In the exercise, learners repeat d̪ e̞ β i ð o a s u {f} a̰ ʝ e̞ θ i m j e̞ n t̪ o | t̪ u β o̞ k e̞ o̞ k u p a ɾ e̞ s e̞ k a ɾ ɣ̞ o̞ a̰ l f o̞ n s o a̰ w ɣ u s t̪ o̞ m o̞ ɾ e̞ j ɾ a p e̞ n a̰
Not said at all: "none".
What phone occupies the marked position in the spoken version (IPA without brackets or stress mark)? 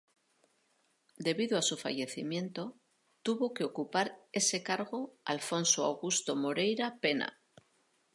f